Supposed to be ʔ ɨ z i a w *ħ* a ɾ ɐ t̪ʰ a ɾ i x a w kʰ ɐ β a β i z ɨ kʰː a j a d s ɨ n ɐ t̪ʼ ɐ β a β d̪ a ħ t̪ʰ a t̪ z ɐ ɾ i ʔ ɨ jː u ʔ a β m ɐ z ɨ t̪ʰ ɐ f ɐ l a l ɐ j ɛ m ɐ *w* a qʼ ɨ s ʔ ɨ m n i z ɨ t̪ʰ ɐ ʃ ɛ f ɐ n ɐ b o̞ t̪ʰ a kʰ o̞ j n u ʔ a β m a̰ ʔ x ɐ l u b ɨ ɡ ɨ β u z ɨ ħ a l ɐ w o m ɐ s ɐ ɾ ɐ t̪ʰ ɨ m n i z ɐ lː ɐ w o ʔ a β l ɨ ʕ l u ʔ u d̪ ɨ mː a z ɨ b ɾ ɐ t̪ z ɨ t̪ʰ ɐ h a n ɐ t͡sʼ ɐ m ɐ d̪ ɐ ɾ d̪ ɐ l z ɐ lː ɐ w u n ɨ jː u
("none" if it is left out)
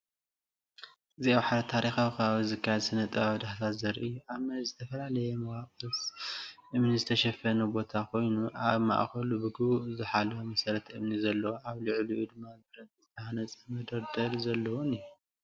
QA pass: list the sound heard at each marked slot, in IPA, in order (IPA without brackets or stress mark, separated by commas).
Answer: ħ, w